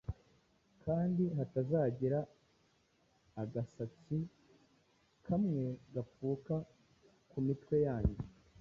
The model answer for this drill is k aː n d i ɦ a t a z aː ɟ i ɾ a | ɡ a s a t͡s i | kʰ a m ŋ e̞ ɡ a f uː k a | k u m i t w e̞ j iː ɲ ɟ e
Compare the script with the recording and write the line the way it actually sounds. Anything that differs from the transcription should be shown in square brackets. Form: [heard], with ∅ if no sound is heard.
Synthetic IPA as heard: k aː n d i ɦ a t a z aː ɟ i ɾ a | ɡ a s a t͡s i | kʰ a m ŋ e̞ ɡ a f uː k a | k u m i t w e̞ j [aː] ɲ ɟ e